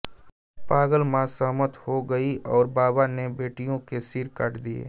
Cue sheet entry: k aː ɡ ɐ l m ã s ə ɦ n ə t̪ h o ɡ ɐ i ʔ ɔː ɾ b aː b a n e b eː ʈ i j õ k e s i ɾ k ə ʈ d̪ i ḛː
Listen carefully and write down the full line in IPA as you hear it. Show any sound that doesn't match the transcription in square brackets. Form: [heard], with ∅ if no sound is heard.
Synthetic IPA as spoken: [p] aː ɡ [ə] l m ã s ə ɦ [m] ə t̪ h o ɡ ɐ i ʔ ɔː ɾ b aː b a n e b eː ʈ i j õ k e s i ɾ k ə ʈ d̪ i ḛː